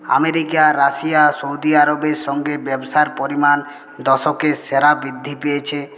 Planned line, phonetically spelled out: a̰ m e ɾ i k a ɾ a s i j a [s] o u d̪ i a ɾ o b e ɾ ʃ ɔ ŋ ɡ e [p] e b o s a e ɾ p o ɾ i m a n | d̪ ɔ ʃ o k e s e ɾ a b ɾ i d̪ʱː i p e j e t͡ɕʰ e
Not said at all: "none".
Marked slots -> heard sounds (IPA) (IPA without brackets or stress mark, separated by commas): s, b